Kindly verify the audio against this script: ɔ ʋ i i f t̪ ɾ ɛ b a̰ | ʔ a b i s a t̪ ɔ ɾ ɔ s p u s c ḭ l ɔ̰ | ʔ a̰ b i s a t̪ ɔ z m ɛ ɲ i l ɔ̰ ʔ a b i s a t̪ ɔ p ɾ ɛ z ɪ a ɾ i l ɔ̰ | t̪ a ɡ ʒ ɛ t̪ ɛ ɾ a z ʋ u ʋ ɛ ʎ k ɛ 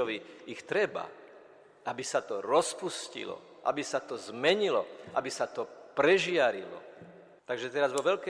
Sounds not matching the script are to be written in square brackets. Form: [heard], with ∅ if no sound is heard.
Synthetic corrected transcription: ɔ ʋ i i [x] t̪ ɾ ɛ b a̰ | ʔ a b i s a t̪ ɔ ɾ ɔ s p u s c ḭ l ɔ̰ | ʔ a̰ b i s a t̪ ɔ z m ɛ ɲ i l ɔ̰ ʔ a b i s a t̪ ɔ p ɾ ɛ [ʒ] ɪ a ɾ i l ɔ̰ | t̪ a ɡ ʒ ɛ t̪ ɛ ɾ a z ʋ [ɔ] ʋ ɛ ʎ k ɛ